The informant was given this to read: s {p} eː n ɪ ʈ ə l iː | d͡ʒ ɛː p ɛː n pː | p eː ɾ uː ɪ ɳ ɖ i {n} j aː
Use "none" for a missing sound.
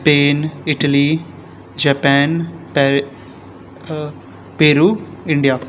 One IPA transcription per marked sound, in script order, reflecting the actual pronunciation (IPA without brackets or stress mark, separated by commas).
p, none